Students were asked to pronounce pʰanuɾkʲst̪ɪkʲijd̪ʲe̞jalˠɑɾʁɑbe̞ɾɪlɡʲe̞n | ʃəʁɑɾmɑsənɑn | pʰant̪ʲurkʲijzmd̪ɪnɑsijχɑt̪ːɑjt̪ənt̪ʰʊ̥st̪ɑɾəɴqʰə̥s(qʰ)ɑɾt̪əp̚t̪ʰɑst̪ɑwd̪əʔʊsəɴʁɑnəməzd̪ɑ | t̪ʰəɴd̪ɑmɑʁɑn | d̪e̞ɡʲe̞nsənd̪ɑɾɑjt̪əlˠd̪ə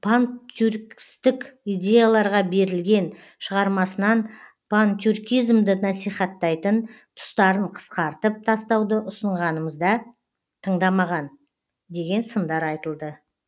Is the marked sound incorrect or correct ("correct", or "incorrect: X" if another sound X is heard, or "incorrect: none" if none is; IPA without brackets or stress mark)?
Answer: incorrect: q